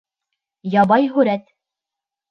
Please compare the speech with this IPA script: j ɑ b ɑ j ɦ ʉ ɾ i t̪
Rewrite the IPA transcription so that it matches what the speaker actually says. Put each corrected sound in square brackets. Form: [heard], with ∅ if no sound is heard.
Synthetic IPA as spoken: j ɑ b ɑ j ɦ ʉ ɾ [æ] t̪